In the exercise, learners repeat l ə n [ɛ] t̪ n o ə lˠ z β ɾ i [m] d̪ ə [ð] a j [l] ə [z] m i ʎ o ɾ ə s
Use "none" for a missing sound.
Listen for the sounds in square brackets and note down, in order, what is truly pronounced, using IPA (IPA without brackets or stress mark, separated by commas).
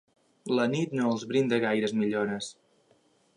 i, n, ɣ, ɾ, z